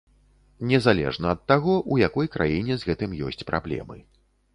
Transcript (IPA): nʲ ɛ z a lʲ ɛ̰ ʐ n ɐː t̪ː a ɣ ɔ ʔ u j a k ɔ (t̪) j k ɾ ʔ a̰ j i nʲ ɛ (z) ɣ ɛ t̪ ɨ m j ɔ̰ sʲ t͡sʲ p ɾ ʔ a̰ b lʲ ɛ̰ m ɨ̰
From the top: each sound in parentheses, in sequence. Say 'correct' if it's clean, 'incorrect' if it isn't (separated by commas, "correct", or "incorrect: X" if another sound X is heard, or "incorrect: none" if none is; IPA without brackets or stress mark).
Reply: incorrect: none, correct